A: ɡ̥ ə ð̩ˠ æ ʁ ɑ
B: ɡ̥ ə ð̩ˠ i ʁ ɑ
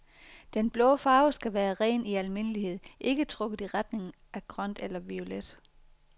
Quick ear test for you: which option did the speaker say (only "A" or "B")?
B